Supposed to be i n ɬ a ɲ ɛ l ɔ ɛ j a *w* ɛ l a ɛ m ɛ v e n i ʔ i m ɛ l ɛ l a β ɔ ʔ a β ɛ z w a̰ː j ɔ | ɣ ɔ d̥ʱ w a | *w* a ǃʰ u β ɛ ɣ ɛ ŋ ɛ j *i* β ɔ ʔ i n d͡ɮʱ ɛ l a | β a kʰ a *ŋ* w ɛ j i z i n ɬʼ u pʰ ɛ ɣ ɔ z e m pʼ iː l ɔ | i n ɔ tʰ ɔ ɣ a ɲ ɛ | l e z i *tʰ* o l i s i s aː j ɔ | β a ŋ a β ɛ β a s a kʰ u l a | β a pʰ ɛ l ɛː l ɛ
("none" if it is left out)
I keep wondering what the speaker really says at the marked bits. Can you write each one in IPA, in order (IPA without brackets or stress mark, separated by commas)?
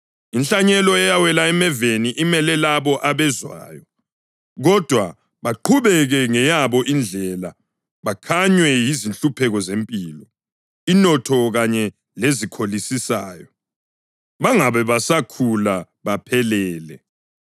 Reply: w, β, a, ɲ, kʰ